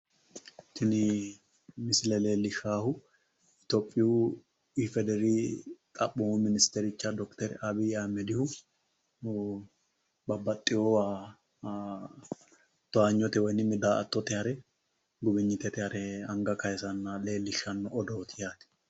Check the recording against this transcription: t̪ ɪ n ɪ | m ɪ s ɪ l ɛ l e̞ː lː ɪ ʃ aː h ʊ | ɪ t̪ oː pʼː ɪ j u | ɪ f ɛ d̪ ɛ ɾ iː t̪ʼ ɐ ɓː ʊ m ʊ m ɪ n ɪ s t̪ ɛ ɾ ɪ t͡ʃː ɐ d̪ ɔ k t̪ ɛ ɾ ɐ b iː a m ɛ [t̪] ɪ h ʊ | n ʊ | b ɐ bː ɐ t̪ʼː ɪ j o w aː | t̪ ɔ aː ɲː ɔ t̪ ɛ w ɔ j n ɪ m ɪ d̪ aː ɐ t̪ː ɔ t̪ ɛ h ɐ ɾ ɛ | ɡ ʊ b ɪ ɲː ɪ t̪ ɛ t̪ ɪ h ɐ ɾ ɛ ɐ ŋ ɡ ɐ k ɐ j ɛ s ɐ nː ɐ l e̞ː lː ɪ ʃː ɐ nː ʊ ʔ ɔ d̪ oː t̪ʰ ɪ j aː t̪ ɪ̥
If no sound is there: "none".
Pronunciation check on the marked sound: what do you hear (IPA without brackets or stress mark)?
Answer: d̪